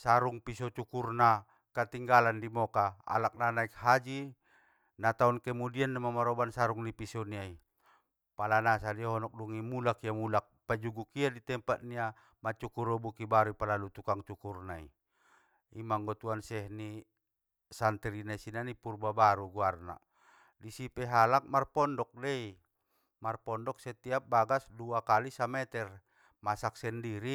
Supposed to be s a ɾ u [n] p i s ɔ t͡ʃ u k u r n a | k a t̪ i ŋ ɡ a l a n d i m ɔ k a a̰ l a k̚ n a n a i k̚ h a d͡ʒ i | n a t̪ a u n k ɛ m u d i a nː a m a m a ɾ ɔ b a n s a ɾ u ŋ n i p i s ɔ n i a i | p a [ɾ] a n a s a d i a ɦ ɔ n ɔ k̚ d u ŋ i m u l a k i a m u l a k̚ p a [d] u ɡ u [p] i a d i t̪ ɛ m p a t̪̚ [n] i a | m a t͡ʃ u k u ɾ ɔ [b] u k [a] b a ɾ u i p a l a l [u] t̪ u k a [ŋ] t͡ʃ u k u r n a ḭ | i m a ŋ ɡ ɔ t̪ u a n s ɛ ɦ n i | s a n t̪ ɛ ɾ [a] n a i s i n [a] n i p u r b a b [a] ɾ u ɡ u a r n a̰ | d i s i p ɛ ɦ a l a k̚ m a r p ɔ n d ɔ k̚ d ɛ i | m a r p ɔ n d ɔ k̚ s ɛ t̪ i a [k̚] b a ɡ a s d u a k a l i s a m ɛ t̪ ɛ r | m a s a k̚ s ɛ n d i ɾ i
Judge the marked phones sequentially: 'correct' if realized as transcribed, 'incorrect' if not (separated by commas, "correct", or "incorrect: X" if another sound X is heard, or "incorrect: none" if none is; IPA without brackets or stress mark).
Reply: incorrect: ŋ, incorrect: l, incorrect: d͡ʒ, incorrect: k, correct, correct, incorrect: i, correct, correct, incorrect: i, correct, correct, incorrect: p̚